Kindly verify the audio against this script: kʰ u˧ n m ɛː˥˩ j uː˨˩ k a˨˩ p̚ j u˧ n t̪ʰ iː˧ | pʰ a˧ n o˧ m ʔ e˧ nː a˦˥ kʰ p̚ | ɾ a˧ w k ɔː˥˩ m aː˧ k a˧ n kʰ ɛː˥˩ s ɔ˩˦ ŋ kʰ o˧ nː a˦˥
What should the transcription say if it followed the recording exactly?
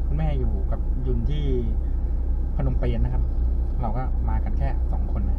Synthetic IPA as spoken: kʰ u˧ n m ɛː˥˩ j uː˨˩ k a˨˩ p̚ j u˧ n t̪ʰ iː˥˩ | pʰ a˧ n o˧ m p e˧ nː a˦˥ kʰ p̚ | ɾ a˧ w k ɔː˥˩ m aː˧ k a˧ n kʰ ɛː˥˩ s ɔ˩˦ ŋ kʰ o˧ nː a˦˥